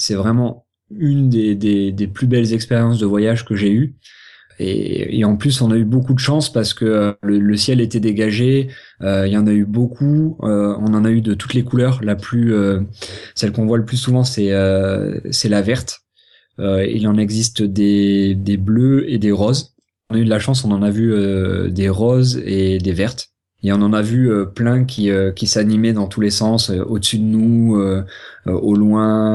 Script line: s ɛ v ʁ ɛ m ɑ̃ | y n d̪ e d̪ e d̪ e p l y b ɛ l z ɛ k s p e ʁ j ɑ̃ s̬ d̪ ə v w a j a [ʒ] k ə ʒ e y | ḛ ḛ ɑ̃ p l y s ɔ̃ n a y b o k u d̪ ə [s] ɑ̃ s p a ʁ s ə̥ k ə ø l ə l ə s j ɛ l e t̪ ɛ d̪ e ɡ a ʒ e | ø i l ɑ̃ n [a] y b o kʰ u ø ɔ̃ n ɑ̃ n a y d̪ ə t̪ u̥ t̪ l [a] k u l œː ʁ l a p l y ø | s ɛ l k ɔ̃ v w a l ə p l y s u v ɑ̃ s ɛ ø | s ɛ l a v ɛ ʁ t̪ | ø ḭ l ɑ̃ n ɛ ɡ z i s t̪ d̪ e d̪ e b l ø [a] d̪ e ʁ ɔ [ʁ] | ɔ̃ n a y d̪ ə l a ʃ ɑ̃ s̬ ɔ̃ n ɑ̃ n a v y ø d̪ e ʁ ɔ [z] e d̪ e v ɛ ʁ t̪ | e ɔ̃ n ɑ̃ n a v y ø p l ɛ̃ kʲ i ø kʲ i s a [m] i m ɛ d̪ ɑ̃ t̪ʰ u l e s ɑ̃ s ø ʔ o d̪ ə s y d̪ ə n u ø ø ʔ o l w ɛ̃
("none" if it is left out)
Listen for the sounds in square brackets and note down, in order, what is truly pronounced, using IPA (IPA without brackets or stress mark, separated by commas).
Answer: ʒ, ʃ, a, e, e, z, z, n